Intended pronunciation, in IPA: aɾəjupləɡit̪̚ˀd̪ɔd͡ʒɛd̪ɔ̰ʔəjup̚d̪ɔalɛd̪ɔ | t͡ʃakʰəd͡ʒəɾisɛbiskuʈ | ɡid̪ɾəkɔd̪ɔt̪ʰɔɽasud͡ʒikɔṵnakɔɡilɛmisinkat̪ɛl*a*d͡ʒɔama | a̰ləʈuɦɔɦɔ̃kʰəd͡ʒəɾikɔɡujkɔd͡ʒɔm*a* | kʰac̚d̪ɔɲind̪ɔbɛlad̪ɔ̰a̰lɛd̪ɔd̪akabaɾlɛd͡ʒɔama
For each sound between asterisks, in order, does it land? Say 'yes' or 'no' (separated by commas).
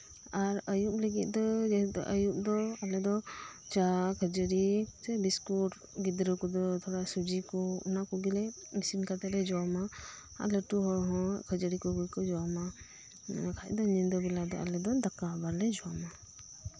no, yes